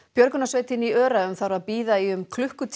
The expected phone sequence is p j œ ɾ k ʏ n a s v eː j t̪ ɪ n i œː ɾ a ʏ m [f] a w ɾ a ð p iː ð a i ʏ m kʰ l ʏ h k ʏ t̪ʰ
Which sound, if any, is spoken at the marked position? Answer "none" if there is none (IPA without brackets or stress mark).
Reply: θ